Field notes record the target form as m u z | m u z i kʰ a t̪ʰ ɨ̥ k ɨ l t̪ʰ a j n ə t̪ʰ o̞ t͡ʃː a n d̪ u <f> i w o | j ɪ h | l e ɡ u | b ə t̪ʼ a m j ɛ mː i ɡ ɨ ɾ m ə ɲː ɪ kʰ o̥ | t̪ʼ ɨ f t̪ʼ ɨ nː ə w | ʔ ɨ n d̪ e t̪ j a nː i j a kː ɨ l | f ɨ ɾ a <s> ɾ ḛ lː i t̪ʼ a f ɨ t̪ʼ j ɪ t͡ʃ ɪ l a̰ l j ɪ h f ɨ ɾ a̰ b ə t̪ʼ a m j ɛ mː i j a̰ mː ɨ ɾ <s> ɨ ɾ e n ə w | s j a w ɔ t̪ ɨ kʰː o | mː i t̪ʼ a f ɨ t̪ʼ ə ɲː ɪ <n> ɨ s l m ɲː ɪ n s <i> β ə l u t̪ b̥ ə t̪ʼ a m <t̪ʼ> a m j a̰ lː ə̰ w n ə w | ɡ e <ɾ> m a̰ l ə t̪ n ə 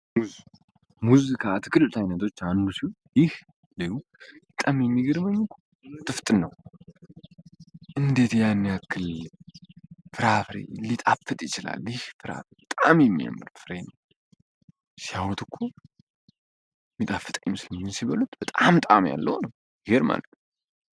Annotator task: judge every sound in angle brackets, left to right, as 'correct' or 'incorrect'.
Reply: incorrect, incorrect, incorrect, incorrect, correct, correct, correct

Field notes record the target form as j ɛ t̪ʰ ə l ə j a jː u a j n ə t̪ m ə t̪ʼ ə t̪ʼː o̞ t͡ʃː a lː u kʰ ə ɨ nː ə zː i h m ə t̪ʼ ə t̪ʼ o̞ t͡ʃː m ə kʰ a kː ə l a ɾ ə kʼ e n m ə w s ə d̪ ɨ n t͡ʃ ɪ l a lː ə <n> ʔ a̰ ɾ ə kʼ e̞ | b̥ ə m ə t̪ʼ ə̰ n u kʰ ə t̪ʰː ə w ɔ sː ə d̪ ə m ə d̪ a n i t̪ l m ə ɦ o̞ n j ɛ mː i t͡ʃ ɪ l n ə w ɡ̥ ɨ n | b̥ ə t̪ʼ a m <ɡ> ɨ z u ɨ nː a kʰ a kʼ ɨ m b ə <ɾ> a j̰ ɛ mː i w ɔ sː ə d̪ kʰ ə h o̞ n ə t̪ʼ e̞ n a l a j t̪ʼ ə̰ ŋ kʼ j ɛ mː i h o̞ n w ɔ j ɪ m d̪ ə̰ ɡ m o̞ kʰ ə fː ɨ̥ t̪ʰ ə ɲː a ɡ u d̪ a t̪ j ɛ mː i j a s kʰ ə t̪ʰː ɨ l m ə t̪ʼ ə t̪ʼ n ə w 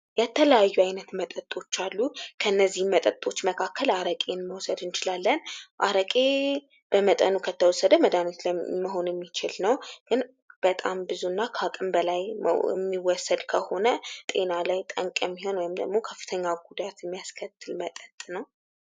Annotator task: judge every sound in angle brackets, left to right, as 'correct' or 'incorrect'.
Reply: correct, incorrect, incorrect

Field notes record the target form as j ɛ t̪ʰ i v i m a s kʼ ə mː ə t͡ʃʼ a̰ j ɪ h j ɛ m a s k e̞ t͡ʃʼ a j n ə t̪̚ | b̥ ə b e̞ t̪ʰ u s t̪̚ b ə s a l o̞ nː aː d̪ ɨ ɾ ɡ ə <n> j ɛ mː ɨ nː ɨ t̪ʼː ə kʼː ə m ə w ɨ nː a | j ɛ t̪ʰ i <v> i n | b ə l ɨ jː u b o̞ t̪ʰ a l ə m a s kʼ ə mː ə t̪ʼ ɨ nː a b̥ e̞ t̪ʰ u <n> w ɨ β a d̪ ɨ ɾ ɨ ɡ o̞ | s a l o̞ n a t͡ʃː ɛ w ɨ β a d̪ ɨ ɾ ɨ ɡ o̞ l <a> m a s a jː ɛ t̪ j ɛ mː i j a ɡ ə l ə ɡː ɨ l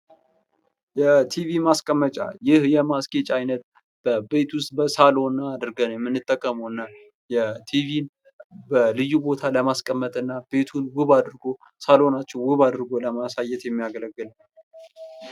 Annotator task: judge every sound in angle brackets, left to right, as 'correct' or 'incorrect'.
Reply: correct, correct, correct, incorrect

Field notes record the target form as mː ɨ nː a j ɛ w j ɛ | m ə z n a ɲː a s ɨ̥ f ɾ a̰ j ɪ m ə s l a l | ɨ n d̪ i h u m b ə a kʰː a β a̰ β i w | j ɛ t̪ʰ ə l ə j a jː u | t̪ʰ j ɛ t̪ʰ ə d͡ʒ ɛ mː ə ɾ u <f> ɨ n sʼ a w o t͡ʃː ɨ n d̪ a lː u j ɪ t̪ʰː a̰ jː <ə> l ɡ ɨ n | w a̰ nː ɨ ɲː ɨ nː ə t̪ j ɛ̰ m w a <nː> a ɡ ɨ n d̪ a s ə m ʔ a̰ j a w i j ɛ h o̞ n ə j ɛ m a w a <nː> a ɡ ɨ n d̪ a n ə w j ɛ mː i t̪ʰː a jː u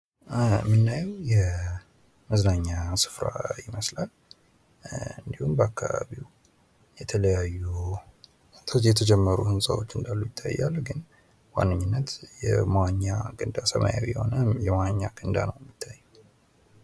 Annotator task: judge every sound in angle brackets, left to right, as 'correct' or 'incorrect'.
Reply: incorrect, incorrect, incorrect, incorrect

